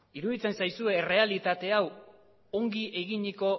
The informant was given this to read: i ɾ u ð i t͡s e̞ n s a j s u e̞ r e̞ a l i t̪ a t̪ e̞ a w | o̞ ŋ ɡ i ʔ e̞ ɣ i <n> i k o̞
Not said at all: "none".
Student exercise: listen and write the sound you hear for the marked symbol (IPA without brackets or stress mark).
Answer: ɲ